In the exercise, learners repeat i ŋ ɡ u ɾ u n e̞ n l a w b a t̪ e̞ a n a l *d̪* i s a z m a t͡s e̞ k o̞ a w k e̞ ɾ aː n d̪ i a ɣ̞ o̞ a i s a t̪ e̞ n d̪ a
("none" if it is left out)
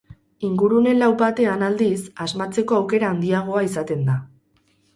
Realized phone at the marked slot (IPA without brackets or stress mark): d̪